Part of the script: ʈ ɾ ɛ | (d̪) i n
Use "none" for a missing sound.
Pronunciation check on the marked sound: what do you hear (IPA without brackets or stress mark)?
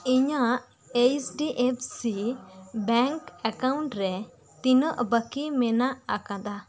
t̪